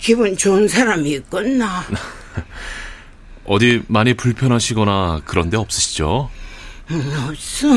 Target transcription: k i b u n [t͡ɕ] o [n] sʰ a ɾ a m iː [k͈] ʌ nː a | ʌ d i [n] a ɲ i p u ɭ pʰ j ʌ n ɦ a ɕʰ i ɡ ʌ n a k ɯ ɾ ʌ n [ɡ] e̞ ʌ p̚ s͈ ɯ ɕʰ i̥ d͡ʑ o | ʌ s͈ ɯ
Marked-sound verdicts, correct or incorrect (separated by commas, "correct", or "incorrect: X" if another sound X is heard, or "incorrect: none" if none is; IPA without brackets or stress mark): correct, correct, correct, incorrect: m, incorrect: d